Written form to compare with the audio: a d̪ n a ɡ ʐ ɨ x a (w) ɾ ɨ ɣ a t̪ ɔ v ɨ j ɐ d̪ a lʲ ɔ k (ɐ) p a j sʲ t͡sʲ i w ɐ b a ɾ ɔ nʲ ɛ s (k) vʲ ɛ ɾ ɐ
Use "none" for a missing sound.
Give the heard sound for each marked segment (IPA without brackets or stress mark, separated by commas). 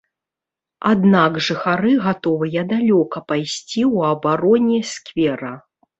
none, ɐ, k